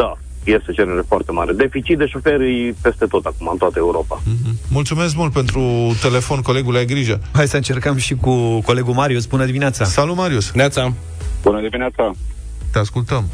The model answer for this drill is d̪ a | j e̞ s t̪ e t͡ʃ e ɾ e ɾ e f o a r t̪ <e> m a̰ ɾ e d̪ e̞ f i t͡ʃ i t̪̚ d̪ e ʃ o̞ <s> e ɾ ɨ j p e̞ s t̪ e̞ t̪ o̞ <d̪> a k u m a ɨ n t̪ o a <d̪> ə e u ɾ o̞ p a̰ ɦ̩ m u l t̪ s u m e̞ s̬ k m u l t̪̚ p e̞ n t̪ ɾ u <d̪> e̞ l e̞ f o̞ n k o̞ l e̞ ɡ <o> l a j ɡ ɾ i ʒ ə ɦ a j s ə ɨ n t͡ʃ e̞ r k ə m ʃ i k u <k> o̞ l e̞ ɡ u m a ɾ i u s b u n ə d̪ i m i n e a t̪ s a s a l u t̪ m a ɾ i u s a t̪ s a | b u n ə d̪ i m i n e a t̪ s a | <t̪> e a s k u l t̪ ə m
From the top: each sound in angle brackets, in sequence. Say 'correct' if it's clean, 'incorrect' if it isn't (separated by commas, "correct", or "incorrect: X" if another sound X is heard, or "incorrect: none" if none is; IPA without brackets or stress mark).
correct, incorrect: f, incorrect: t̪, incorrect: t̪, incorrect: t̪, incorrect: u, correct, correct